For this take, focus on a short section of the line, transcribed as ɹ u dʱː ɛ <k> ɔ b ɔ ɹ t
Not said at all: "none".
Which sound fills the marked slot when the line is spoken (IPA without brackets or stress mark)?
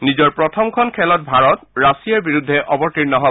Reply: ʔ